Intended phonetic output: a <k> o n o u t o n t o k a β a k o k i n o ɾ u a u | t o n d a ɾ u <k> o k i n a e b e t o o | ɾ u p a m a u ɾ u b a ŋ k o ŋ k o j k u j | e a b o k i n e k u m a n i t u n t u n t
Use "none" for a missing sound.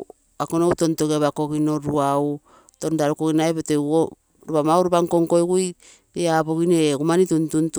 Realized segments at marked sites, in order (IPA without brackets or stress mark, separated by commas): k, k